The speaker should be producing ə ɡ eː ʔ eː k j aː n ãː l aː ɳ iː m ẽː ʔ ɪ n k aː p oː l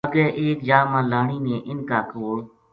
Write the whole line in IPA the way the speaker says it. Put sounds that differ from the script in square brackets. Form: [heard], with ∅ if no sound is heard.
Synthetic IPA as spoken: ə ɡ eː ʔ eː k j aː [m] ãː l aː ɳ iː [n] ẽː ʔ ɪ n k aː [k] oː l